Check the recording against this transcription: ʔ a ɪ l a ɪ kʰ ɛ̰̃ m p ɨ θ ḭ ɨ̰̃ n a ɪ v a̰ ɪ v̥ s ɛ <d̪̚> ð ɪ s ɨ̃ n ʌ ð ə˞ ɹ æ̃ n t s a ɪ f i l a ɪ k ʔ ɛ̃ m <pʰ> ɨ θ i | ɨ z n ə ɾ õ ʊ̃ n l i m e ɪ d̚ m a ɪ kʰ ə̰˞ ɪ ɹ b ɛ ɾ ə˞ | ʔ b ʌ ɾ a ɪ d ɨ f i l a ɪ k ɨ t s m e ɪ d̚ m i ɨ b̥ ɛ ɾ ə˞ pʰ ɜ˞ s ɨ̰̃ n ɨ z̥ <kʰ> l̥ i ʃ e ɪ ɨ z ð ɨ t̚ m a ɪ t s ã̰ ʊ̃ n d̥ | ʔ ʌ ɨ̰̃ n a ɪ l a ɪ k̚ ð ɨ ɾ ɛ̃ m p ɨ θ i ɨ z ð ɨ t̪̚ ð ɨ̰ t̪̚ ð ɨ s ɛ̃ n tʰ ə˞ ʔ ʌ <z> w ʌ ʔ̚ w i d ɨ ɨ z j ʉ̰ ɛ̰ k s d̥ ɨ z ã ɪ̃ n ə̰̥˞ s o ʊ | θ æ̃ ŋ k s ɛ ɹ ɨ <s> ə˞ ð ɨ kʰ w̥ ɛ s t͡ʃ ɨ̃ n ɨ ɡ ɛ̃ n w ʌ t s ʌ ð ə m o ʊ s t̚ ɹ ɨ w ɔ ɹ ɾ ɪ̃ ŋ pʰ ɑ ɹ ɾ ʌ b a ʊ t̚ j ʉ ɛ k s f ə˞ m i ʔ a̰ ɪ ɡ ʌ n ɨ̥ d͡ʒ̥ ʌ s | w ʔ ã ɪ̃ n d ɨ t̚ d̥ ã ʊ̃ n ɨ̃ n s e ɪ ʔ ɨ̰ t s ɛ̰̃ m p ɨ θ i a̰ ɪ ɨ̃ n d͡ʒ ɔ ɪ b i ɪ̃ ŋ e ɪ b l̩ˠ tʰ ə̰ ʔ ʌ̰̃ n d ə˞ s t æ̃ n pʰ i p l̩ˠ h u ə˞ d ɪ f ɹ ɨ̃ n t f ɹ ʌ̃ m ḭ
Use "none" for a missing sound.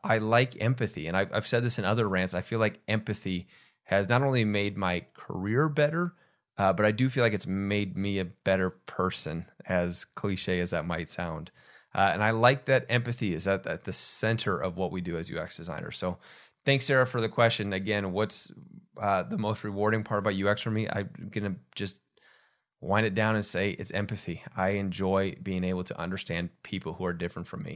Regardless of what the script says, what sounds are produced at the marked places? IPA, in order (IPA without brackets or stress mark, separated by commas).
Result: d̪̚, p, kʰ, v, f